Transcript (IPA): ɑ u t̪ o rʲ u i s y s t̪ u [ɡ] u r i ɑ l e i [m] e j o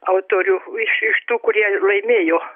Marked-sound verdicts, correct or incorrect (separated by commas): incorrect, correct